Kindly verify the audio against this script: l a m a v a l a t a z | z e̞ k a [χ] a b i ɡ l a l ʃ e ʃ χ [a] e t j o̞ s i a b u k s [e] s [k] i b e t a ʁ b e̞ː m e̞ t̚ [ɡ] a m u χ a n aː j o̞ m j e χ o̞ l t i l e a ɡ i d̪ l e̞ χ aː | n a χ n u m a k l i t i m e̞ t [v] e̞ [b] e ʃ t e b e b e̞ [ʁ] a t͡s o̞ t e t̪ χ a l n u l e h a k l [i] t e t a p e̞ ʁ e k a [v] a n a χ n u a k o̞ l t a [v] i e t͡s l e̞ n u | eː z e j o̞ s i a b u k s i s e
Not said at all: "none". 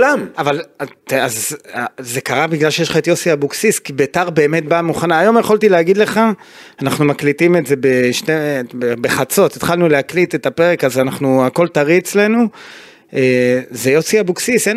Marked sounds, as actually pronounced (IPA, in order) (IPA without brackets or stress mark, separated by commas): ʁ, a, i, k, b, z, b, χ, i, z, ʁ